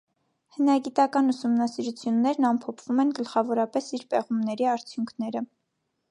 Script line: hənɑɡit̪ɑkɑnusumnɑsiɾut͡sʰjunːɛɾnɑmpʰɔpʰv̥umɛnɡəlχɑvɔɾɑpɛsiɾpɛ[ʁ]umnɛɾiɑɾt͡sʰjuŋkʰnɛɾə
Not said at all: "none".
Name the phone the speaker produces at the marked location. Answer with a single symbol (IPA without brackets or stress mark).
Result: ʁ